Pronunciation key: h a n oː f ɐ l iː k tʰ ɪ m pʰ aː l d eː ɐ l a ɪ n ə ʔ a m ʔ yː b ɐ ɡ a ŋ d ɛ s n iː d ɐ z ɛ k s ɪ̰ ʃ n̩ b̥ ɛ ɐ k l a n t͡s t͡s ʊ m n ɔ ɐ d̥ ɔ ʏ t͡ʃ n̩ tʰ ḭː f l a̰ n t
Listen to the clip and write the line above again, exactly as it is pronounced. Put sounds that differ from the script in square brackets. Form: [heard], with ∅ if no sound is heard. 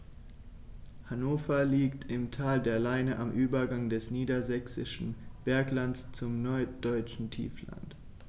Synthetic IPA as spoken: h a n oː f ɐ l iː k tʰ ɪ m [tʰ] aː l d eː ɐ l a ɪ n ə ʔ a m ʔ yː b ɐ ɡ a ŋ d ɛ s n iː d ɐ z ɛ k s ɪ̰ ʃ n̩ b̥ ɛ ɐ k l a n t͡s t͡s ʊ m n ɔ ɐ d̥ ɔ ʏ t͡ʃ n̩ tʰ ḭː f l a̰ n t